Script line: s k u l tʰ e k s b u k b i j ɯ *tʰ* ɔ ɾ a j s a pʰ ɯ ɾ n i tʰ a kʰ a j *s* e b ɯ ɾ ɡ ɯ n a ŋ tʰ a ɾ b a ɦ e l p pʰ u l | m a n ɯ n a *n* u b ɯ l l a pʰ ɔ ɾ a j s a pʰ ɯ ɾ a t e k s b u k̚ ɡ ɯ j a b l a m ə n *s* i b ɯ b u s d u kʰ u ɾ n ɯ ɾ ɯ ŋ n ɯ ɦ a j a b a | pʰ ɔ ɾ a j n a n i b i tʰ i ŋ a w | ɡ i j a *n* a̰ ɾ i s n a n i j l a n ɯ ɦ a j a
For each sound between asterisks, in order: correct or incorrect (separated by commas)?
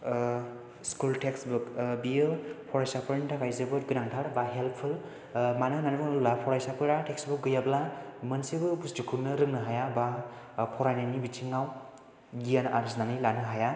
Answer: incorrect, incorrect, correct, correct, correct